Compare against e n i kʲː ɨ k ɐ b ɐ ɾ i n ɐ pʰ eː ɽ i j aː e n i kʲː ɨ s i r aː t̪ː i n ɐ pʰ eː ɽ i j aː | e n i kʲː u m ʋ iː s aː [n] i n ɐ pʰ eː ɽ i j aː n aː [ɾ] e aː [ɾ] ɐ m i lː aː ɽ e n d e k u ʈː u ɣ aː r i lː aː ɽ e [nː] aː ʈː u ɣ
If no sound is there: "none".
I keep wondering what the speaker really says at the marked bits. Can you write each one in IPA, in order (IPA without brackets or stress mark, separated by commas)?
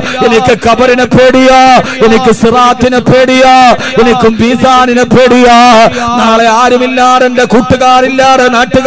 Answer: n, ɭ, ɾ, n